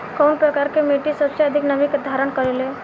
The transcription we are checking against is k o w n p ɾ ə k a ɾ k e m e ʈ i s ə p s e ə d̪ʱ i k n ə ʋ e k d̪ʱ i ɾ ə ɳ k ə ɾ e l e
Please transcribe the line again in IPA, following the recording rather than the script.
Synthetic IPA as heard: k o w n p ɾ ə k a ɾ k e m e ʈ i s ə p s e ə d̪ʱ i k n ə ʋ i k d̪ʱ a ɾ ə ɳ k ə ɾ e l e